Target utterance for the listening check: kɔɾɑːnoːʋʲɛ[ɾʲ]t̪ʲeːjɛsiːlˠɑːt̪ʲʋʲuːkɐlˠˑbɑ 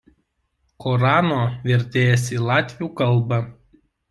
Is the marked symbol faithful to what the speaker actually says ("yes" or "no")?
yes